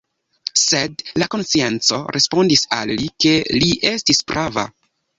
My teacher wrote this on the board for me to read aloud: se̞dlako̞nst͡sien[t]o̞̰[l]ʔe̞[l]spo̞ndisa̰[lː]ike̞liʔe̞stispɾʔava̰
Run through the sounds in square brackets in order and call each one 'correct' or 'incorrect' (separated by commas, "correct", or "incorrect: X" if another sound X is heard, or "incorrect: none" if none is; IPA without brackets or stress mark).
incorrect: t͡s, incorrect: ɾ, incorrect: none, correct